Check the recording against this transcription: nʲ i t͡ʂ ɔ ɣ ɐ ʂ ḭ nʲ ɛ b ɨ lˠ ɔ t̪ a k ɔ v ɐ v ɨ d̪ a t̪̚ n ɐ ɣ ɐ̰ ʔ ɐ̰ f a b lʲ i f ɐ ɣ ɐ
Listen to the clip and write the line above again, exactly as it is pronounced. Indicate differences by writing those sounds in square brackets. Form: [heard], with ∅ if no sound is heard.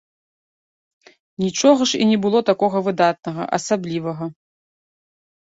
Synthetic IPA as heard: nʲ i t͡ʂ ɔ ɣ ɐ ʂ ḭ nʲ ɛ b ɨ lˠ ɔ t̪ a k ɔ [ɣ] ɐ v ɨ d̪ a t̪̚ n ɐ ɣ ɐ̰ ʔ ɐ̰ [s] a b lʲ i [v] ɐ ɣ ɐ